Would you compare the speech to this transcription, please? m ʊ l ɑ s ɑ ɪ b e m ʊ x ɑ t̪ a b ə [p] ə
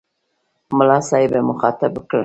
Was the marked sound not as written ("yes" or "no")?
yes